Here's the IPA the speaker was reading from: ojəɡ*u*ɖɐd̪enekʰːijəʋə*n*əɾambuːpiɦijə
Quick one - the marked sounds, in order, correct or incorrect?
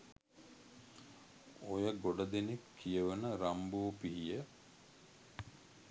incorrect: o, correct

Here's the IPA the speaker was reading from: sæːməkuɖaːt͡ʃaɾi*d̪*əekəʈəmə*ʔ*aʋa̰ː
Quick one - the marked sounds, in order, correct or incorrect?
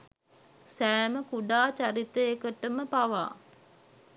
incorrect: t̪, incorrect: p

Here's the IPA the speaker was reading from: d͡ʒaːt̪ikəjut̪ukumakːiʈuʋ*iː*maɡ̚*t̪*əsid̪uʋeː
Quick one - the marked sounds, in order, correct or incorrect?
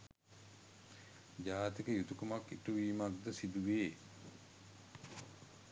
correct, incorrect: d̪

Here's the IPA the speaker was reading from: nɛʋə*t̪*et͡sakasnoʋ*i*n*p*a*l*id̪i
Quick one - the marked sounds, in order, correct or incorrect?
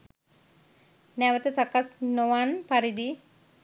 correct, incorrect: a, correct, incorrect: ɾ

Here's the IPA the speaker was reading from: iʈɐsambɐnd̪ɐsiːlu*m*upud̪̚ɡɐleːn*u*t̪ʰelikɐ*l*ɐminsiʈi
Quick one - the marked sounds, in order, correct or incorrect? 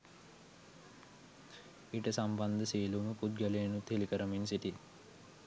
correct, correct, incorrect: ɾ

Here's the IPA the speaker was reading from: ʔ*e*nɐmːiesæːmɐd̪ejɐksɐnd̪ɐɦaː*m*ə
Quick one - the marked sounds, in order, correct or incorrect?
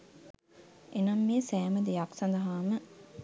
correct, correct

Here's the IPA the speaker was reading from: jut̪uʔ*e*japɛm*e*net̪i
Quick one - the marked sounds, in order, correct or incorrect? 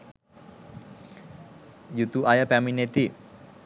incorrect: a, incorrect: i

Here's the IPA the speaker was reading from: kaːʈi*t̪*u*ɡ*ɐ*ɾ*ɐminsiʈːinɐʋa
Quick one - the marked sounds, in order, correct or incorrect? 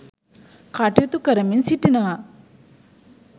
correct, incorrect: k, correct

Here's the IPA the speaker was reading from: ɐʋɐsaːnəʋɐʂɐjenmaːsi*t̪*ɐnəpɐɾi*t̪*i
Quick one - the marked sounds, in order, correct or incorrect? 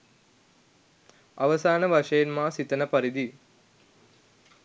correct, incorrect: d̪

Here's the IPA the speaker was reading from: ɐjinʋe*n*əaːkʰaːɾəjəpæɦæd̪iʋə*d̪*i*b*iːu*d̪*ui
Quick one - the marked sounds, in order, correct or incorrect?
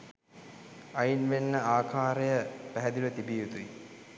incorrect: nː, incorrect: t̪, correct, incorrect: t̪

